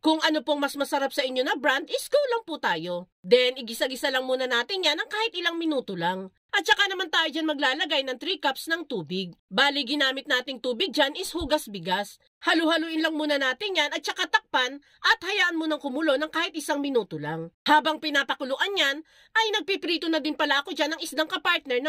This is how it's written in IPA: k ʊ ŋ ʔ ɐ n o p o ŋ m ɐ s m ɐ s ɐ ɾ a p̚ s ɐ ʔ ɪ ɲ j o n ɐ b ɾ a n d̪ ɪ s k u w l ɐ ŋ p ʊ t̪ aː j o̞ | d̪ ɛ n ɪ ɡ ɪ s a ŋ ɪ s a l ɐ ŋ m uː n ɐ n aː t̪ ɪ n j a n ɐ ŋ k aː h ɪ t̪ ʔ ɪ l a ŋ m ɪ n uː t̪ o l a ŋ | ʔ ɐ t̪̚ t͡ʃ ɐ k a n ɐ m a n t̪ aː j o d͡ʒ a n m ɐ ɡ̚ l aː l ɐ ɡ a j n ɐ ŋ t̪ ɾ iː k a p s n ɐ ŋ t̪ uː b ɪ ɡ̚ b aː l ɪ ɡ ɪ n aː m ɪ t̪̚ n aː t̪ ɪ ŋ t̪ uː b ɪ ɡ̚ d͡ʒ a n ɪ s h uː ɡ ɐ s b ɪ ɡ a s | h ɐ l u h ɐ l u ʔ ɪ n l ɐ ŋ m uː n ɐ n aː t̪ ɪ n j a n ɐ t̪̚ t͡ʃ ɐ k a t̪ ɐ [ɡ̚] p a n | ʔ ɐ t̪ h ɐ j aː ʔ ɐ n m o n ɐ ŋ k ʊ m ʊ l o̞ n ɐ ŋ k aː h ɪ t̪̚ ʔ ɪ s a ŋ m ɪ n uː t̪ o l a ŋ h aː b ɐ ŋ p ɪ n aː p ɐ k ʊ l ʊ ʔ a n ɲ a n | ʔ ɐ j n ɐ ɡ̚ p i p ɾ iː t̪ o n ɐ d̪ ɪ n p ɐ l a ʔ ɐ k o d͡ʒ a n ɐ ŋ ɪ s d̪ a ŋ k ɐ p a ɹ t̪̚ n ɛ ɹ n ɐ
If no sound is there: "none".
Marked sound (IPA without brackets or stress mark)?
k̚